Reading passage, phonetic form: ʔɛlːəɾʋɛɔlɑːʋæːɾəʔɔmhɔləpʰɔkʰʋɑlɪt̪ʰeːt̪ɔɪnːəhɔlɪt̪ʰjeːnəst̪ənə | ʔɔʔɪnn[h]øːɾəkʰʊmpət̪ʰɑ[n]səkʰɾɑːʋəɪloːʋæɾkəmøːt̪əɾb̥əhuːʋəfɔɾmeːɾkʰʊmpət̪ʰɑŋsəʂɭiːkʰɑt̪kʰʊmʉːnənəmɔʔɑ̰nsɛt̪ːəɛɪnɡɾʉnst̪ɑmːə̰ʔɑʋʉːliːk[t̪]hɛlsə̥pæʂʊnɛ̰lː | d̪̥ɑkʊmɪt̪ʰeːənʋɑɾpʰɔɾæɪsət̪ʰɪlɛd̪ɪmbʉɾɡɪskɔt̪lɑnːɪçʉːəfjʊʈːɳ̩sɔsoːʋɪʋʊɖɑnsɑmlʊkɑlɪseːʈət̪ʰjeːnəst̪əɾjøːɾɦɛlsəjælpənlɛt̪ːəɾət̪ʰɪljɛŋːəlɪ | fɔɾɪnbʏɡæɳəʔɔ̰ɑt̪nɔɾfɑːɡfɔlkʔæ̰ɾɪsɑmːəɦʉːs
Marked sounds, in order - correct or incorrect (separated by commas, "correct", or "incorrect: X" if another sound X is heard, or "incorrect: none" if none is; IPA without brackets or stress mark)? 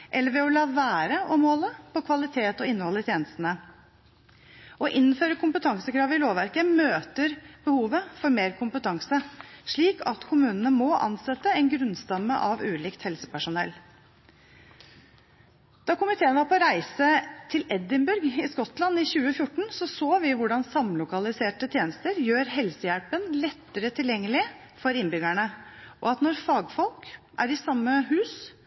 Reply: incorrect: f, incorrect: ŋ, correct